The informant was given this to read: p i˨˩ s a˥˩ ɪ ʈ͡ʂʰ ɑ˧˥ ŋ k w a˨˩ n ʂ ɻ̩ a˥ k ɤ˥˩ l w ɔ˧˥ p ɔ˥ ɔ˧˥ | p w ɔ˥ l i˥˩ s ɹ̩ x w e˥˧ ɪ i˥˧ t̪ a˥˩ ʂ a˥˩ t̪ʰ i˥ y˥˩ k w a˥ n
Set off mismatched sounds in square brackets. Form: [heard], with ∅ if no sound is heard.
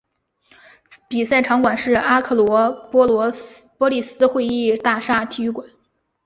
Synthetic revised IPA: p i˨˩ s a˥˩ ɪ ʈ͡ʂʰ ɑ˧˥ ŋ k w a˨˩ n ʂ ɻ̩ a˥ [kʰ] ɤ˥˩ l w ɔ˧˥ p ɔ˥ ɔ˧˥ | p w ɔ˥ l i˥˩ s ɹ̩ x w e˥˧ ɪ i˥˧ t̪ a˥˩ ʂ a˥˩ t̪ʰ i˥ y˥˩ k w [a˨˩˦] n